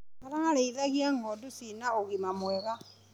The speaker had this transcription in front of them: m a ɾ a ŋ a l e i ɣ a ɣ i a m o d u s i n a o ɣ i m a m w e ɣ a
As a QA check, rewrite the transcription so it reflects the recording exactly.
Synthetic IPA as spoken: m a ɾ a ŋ a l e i ð a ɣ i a ŋ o d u s i n a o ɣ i m a m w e ɣ a